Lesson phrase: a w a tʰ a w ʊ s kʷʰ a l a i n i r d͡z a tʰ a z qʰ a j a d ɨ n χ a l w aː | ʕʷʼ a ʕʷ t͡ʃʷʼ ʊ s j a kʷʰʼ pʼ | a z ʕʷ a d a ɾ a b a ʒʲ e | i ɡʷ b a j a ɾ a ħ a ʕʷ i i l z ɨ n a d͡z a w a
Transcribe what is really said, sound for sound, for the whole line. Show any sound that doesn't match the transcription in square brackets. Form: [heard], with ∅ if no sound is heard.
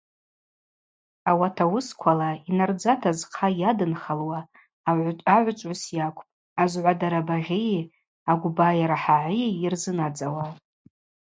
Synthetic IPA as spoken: a w a tʰ a w ʊ s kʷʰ a l a i n [a] r d͡z a tʰ a z qʰ a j a d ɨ n χ a l w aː | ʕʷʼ a ʕʷ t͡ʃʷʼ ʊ s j a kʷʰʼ pʼ | a z ʕʷ a d a ɾ a b a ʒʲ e | [a] ɡʷ b a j a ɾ a ħ a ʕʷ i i [r] z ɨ n a d͡z a w a